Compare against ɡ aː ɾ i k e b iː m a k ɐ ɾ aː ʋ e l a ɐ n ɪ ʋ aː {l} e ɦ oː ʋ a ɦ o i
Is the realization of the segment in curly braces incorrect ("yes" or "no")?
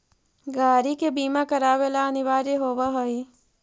yes